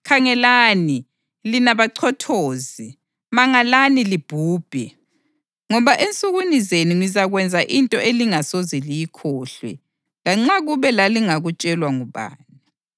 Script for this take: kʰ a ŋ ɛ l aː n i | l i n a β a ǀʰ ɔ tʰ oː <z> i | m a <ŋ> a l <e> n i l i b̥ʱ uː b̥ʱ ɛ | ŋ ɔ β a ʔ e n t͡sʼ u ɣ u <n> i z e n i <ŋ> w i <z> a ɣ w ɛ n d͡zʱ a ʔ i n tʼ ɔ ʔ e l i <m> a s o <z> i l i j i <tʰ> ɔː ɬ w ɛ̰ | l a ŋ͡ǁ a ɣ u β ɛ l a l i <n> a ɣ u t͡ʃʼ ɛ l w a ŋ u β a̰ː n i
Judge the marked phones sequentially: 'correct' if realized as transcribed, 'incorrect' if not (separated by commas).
correct, correct, incorrect, correct, correct, correct, incorrect, correct, incorrect, incorrect